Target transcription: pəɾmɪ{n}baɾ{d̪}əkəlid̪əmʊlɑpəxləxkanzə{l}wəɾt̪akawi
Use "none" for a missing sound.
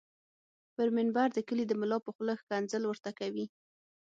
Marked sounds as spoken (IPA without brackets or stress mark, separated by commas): n, d̪, l